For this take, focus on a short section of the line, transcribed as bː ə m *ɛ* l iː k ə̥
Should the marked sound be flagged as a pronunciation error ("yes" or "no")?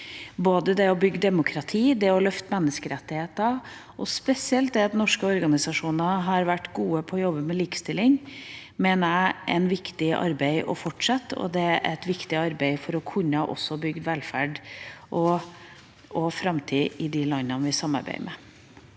no